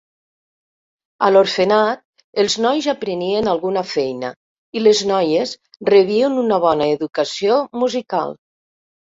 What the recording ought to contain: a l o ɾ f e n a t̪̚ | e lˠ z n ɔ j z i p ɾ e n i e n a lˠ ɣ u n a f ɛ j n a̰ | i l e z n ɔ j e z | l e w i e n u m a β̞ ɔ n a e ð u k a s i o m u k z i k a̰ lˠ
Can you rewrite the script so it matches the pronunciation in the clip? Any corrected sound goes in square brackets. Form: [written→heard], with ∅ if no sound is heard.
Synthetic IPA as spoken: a l o ɾ f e n a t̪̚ | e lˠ z n ɔ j z [i→a] p ɾ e n i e n a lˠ ɣ u n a f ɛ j n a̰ | i l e z n ɔ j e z | [l→r] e [w→β] i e n u [m→n] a β̞ ɔ n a e ð u k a s i o m u [k→∅] z i k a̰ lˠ